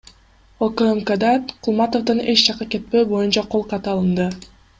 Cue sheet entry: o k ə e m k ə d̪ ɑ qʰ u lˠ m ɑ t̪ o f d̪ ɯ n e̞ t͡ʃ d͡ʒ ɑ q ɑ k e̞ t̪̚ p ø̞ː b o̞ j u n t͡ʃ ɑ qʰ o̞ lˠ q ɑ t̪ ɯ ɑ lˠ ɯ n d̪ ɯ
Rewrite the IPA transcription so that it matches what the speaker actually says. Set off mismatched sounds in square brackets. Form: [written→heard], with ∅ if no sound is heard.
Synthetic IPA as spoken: o k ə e m k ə d̪ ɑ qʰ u lˠ m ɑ t̪ o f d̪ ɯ n e̞ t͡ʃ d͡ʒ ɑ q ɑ k e̞ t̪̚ p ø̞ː b o̞ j u n t͡ʃ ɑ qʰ o̞ lˠ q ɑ t̪ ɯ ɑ lˠ ɯ n d̪ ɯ